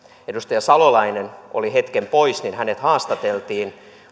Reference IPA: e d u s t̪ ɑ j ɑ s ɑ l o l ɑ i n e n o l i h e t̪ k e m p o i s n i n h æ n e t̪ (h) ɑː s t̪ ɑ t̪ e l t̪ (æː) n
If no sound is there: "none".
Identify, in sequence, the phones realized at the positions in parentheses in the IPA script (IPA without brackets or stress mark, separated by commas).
h, iː